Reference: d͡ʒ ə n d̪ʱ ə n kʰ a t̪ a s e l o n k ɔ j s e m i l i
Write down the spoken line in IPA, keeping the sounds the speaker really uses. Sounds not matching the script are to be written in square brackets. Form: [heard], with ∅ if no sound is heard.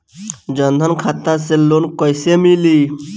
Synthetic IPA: d͡ʒ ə n d̪ʱ ə n kʰ a t̪ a s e l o n k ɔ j s e m i l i

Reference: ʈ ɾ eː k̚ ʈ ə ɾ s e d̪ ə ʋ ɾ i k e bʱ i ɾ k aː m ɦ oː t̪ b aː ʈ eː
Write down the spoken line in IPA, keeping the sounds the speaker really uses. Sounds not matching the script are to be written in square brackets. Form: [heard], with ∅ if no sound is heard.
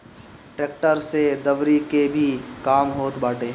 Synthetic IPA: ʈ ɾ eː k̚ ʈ ə ɾ s e d̪ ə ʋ ɾ i k e bʱ i [∅] k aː m ɦ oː t̪ b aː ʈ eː

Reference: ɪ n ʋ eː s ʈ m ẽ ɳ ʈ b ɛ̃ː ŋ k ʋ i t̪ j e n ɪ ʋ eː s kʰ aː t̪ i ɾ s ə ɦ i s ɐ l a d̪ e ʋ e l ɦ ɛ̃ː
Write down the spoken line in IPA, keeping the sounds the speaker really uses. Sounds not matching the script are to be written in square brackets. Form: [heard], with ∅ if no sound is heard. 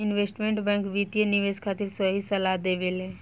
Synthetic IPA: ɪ n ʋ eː s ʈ m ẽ ɳ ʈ b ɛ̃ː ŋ k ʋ i t̪ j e n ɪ ʋ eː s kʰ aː t̪ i ɾ s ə ɦ i s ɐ l a d̪ e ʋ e l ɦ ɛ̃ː

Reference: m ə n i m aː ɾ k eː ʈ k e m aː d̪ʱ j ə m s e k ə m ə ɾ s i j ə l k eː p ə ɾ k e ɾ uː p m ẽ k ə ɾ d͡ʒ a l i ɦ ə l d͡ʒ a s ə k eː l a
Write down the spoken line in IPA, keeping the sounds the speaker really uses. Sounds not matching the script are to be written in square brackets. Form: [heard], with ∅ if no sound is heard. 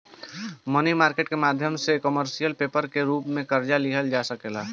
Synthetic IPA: m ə n i m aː ɾ k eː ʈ k e m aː d̪ʱ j ə m s e k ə m ə ɾ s i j ə l [p] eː p ə ɾ k e ɾ uː p m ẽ k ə ɾ d͡ʒ a l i ɦ ə l d͡ʒ a s ə k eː l a

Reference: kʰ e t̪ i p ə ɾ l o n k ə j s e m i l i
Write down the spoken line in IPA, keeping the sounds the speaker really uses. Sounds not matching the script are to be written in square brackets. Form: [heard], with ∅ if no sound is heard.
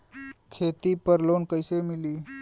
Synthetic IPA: kʰ e t̪ i p ə ɾ l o n k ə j s e m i l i

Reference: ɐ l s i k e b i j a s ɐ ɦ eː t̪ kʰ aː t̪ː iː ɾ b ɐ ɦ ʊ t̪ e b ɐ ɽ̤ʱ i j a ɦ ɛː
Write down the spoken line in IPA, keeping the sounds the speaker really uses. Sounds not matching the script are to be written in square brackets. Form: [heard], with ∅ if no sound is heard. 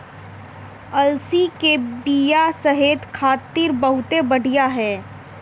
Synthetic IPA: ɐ l s i k e b i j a s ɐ ɦ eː t̪ kʰ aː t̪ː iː ɾ b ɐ ɦ ʊ t̪ e b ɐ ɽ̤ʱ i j a ɦ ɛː

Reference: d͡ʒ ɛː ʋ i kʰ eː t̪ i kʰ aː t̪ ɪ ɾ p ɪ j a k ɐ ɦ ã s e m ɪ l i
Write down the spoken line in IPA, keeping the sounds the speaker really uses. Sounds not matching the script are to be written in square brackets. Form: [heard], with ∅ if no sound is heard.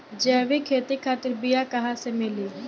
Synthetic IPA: d͡ʒ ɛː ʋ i kʰ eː t̪ i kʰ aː t̪ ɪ ɾ [b] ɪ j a k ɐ ɦ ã s e m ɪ l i

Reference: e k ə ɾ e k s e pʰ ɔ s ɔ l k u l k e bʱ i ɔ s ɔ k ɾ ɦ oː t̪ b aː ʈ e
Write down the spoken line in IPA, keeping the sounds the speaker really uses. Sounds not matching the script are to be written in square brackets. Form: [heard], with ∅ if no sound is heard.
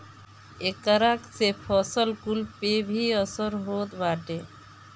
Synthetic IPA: e k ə ɾ [a] k s e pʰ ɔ s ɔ l k u l [p] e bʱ i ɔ s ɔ [∅] ɾ ɦ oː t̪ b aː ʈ e

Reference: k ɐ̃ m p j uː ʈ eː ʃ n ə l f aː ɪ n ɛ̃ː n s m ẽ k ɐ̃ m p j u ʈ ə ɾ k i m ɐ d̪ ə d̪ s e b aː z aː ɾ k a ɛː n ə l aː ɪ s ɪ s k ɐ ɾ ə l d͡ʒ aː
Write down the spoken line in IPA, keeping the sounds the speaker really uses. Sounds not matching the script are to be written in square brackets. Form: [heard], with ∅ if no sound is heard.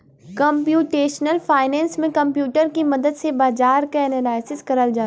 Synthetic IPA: k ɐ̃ m p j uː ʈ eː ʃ n ə l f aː ɪ n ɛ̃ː n s m ẽ k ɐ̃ m p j [uː] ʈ ə ɾ k i m ɐ d̪ ə d̪ s e b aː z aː ɾ k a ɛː n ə l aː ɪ s ɪ s k ɐ ɾ ə l d͡ʒ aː

